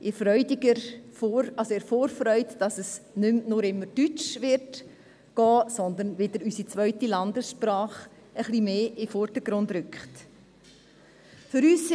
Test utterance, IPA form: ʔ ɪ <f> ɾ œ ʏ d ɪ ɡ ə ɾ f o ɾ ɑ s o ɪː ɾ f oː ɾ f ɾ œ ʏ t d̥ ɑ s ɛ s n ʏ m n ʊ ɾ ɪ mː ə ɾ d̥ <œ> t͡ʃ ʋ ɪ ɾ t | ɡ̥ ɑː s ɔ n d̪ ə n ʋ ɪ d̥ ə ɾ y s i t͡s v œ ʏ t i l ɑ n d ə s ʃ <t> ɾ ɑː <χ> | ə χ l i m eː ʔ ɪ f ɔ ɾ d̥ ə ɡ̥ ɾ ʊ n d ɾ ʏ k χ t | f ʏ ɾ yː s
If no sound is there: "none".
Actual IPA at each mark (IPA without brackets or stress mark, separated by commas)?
f, y, p, χ